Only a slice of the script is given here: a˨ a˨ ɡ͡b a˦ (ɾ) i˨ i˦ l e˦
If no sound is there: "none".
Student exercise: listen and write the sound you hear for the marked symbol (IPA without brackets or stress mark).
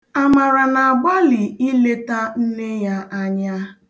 l